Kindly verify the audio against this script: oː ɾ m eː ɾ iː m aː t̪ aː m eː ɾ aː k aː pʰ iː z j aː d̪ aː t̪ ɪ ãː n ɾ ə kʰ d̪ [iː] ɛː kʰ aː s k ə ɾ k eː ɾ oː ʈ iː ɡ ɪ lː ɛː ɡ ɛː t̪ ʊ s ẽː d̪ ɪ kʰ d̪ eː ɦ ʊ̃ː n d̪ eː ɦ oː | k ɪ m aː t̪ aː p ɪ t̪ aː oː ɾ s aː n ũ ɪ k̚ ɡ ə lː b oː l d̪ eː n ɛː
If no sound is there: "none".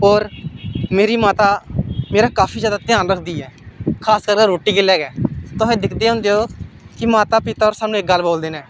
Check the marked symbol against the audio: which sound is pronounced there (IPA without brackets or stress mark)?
iː